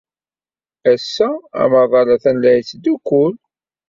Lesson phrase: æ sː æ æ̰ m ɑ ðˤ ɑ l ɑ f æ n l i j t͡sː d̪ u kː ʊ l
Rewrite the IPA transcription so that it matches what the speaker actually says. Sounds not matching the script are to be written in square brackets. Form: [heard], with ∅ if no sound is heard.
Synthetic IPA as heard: æ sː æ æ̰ m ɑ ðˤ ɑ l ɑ [θ] æ n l [æ] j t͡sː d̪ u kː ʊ l